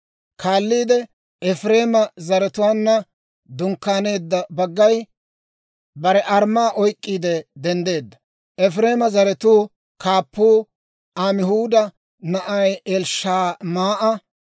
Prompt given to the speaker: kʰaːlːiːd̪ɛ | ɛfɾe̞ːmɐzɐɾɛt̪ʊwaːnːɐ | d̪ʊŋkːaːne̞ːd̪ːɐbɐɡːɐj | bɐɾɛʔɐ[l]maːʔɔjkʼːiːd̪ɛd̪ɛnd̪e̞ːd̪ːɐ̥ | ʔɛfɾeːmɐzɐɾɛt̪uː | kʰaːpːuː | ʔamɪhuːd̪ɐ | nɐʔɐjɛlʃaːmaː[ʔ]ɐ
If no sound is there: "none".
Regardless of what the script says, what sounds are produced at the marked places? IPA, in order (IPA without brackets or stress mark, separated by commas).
ɾ, ʔ